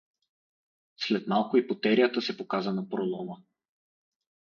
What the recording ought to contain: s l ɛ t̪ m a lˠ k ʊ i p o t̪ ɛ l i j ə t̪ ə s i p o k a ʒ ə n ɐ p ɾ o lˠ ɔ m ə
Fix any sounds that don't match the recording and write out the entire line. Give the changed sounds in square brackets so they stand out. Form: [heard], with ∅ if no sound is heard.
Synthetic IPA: s l ɛ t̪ m a lˠ k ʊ i p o t̪ ɛ [ɾ] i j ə t̪ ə s [ɛ] p o k a [z] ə n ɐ p ɾ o lˠ ɔ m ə